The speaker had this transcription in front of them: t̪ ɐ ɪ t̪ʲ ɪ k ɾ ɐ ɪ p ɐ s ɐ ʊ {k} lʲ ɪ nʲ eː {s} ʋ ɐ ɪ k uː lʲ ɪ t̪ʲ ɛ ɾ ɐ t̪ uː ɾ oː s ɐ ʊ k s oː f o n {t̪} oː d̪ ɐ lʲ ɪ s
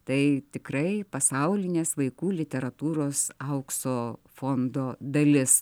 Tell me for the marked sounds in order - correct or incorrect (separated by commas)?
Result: incorrect, correct, incorrect